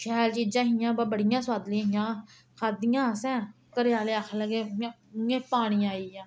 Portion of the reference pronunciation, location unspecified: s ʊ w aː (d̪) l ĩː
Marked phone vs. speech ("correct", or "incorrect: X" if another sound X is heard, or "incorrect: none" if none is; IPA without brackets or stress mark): correct